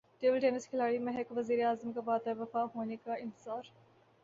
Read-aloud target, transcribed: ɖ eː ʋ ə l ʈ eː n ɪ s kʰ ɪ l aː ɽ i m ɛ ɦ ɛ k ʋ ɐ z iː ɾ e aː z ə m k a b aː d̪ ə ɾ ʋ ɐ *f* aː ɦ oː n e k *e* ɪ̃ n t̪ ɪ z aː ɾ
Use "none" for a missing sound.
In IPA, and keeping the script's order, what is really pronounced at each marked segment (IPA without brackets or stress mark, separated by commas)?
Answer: f, a